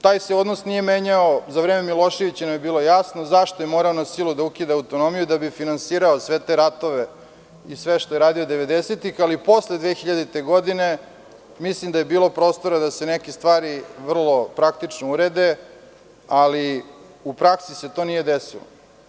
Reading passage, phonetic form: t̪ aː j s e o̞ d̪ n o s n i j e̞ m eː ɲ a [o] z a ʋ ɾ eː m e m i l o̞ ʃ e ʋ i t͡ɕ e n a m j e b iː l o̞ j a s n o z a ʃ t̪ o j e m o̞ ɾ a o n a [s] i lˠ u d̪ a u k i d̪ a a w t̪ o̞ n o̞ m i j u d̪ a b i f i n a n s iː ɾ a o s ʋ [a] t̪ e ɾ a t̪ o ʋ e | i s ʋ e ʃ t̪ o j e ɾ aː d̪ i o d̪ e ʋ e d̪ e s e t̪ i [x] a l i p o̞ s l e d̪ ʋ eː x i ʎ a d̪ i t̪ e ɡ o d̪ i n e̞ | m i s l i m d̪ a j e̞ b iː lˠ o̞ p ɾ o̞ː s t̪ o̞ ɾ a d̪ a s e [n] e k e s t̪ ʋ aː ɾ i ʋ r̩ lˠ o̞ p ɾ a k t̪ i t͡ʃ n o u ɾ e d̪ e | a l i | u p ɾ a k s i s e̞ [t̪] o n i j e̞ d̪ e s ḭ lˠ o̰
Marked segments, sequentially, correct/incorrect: correct, correct, incorrect: e, correct, correct, correct

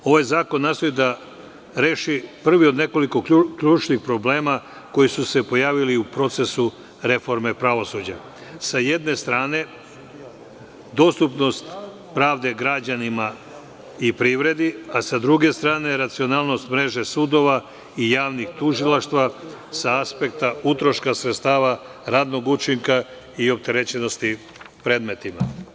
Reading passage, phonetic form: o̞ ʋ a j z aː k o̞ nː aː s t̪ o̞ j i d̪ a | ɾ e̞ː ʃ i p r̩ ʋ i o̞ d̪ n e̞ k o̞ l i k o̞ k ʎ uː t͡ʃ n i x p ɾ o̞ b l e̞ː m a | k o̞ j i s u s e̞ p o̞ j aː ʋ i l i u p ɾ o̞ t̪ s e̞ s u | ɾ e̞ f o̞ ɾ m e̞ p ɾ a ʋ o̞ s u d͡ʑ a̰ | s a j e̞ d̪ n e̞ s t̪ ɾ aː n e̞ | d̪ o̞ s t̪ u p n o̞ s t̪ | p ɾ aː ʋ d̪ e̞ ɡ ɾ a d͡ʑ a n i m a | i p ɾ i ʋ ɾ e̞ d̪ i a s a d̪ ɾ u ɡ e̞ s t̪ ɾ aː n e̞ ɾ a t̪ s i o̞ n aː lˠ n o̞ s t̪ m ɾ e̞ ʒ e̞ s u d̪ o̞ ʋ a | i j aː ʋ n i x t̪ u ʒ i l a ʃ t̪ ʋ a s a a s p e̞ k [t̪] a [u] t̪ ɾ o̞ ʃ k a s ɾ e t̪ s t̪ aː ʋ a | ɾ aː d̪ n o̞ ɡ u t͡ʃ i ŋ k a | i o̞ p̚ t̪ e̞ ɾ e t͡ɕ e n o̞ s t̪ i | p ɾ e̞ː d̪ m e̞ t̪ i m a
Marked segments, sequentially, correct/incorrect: correct, correct

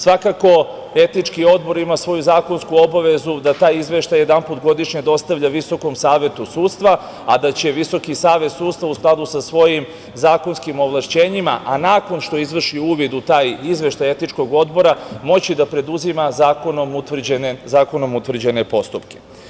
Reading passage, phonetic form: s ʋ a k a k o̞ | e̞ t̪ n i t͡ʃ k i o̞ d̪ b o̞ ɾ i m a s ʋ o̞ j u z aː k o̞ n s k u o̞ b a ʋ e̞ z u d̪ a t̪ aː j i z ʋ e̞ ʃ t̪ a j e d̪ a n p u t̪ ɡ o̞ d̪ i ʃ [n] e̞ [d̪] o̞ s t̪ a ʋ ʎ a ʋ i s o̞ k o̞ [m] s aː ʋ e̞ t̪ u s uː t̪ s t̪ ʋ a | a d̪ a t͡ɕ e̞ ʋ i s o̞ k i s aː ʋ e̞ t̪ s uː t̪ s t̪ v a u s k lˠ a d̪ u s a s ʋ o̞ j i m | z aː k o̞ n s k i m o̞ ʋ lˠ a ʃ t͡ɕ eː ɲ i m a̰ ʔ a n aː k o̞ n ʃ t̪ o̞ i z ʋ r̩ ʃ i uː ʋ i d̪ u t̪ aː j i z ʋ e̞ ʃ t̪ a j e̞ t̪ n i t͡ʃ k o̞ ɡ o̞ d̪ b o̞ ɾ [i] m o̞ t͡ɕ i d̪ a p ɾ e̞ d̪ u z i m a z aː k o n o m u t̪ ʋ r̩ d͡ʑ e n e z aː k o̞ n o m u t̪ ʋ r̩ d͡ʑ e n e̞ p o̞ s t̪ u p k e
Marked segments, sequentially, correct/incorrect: incorrect: ɲ, correct, correct, incorrect: a

